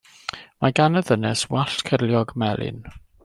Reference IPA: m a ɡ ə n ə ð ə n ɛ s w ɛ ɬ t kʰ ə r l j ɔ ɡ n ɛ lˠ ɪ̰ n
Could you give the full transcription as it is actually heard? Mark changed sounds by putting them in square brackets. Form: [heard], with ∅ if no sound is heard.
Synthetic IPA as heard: m a ɡ [a] n ə ð ə n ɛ s w [a] ɬ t kʰ ə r l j ɔ ɡ [m] ɛ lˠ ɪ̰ n